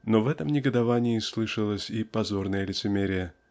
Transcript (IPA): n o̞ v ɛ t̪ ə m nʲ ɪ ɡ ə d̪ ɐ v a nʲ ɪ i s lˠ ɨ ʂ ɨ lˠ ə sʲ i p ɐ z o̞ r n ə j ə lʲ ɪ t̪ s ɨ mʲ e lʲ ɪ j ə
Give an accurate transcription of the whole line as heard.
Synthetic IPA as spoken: n o̞ v ɛ t̪ ə m nʲ ɪ ɡ ə d̪ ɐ v a nʲ ɪ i s lˠ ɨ ʂ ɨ lˠ ə sʲ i p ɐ z o̞ r n ə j ə lʲ ɪ t̪ s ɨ mʲ e ɾʲ ɪ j ə